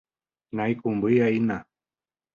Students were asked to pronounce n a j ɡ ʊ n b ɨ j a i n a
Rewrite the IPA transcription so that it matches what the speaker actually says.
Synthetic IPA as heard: n a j k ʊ m b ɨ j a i n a